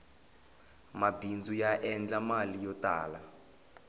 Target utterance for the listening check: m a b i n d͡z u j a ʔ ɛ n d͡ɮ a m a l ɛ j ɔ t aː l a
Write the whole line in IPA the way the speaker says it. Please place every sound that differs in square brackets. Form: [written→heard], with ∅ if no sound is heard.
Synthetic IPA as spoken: m a b i n d͡z u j a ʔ ɛ n d͡ɮ a m a l [ɛ→i] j ɔ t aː l a